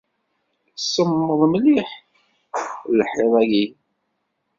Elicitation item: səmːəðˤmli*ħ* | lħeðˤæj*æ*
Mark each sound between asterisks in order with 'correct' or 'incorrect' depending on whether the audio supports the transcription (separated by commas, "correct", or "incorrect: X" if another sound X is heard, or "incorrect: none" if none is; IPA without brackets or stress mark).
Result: correct, incorrect: i